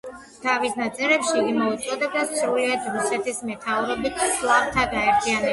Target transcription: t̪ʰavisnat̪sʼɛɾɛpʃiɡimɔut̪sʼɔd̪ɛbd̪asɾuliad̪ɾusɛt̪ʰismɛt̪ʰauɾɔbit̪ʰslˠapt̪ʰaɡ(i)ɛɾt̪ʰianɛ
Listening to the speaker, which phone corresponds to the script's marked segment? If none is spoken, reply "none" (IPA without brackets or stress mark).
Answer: a